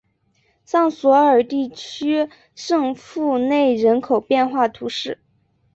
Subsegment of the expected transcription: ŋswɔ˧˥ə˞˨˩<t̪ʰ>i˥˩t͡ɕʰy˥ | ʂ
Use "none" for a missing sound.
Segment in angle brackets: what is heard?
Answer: t̪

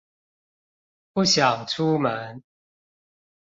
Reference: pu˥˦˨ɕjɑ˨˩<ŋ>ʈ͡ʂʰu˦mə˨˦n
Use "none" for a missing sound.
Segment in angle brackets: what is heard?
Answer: ŋ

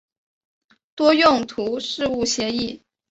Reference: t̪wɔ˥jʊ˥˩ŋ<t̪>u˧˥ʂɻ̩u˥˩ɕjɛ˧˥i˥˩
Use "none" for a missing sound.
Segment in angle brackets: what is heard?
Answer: t̪ʰ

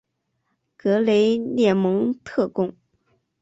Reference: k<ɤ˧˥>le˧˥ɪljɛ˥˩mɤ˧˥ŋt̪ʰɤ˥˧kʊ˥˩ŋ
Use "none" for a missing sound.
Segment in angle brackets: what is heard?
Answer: ɤ˧˥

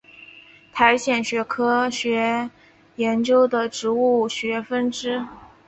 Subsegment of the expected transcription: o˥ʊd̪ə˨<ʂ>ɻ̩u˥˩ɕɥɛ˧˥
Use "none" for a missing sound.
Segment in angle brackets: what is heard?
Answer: ʈ͡ʂ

